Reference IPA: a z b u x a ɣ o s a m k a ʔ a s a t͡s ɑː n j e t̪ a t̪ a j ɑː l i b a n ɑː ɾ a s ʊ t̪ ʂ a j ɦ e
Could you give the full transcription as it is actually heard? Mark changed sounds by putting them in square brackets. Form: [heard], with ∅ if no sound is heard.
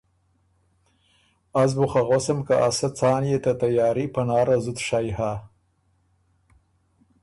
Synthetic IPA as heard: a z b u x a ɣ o s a m k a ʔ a s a t͡s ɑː n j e t̪ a t̪ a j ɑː [ɾ] i [p] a n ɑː ɾ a [z] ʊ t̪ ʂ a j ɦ [a]